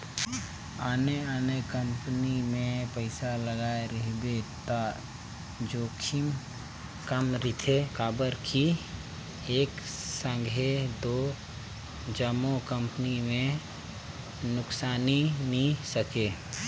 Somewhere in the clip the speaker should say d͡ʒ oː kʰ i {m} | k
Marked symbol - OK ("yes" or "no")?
yes